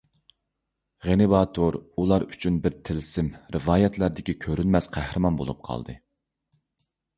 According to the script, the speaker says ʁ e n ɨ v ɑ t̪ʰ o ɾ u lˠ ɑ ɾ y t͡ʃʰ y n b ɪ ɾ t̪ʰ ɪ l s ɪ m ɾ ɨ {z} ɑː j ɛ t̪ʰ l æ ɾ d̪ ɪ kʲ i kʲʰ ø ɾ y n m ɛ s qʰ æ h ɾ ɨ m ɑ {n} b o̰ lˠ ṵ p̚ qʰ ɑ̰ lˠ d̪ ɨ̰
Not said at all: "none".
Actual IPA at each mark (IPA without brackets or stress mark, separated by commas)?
v, n